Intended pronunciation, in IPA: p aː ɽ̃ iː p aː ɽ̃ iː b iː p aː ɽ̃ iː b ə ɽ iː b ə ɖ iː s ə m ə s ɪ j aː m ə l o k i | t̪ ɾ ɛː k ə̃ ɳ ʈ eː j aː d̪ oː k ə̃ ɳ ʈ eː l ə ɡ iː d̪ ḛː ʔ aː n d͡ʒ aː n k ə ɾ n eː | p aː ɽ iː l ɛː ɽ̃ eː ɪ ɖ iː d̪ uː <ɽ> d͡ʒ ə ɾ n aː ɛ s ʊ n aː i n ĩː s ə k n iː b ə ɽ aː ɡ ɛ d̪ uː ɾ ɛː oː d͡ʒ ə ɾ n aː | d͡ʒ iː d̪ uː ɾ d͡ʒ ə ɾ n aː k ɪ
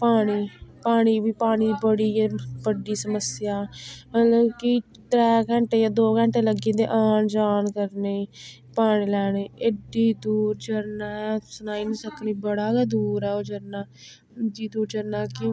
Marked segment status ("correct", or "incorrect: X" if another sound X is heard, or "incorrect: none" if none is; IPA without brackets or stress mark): incorrect: ɾ